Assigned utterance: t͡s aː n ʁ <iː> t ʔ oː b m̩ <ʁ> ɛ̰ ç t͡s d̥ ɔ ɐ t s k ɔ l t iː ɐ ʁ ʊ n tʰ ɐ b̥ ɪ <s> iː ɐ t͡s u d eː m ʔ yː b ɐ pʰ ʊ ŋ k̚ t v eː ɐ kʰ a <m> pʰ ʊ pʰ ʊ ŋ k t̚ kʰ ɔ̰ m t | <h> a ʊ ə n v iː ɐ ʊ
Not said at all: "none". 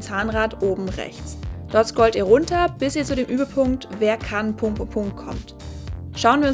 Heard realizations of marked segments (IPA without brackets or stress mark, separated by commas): aː, ʁ, s, n, ʃ